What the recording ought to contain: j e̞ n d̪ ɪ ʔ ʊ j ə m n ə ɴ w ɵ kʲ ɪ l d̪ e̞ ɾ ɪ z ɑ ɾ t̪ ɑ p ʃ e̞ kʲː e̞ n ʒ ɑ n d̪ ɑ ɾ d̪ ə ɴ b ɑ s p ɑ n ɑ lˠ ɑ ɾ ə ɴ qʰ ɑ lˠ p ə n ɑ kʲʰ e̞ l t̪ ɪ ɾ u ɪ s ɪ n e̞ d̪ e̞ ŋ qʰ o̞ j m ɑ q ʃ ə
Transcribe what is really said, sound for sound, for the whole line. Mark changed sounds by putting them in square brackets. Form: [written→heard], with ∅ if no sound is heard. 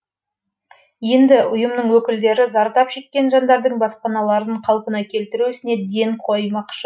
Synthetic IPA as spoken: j e̞ n d̪ ɪ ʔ ʊ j ə m n ə ɴ w ɵ kʲ ɪ l d̪ e̞ ɾ ɪ z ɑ ɾ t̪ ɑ p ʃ e̞ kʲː e̞ n ʒ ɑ n d̪ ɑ ɾ d̪ ə ɴ b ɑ s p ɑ n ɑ lˠ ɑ ɾ ə ɴ qʰ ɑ lˠ p ə n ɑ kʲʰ e̞ l t̪ ɪ ɾ u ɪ s ɪ n e̞ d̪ e̞ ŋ qʰ o̞ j m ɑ q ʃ ə